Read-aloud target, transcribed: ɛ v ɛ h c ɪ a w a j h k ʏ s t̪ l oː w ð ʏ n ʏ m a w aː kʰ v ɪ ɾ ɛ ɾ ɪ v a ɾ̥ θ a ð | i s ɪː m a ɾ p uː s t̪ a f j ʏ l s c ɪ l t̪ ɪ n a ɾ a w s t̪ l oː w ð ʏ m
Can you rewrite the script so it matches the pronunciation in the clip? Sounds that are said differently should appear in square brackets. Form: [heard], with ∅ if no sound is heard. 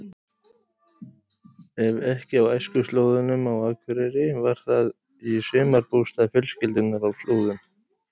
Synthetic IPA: ɛ v ɛ h c ɪ a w a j [s] k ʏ s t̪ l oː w ð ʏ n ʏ m a w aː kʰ v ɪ ɾ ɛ ɾ ɪ v a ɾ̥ θ a ð | i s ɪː m a ɾ p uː s t̪ a f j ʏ l s c ɪ l t̪ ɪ n a ɾ a w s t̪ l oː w ð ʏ m